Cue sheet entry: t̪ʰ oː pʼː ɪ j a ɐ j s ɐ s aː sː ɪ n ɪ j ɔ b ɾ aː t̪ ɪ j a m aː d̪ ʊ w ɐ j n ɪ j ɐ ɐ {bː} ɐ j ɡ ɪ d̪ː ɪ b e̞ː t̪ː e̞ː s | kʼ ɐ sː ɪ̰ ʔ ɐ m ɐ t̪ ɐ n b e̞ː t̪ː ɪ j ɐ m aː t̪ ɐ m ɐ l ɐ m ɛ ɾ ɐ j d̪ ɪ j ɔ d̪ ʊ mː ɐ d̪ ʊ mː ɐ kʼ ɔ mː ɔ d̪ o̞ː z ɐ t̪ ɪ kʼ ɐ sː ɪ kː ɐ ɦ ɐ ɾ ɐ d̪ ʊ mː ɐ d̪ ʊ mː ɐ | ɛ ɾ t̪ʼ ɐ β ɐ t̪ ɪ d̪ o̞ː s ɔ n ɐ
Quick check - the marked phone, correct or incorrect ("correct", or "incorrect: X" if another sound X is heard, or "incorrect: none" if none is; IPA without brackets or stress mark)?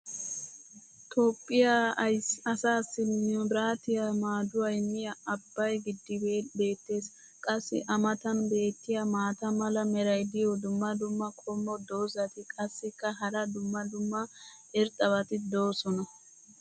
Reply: correct